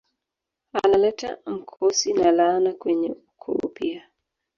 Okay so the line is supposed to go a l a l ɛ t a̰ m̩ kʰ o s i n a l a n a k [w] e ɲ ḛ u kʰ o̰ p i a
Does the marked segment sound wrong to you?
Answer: no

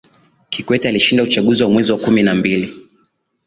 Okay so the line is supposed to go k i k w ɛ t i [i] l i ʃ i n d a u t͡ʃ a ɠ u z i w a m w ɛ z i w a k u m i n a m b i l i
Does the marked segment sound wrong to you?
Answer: yes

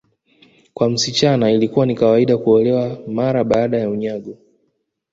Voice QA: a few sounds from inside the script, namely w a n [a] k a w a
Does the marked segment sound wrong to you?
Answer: yes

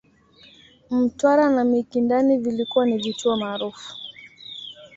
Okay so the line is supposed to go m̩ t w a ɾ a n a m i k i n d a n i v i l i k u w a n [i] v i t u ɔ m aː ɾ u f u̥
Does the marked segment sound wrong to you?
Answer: no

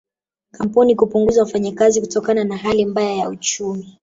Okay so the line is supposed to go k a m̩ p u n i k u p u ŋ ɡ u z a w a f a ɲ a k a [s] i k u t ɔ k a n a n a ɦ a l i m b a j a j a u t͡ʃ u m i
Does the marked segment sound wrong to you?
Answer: yes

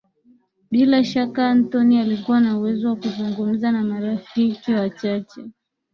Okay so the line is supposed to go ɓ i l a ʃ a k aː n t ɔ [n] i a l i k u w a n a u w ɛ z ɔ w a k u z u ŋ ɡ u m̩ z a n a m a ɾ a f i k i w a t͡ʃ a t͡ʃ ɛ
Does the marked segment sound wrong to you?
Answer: no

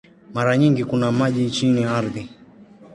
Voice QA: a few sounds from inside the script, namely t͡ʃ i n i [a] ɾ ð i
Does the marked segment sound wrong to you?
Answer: no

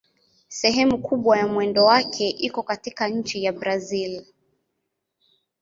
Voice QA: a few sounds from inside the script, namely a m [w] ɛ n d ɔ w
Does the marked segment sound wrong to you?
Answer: no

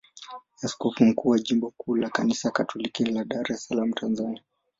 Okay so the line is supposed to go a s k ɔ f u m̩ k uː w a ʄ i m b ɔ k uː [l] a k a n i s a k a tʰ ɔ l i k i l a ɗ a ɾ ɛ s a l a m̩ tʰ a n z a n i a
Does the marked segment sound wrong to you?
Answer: no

